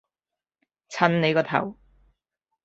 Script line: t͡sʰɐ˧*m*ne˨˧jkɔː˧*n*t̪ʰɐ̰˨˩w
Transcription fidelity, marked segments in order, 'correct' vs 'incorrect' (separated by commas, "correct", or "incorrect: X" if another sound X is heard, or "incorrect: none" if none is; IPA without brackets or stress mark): incorrect: n, incorrect: none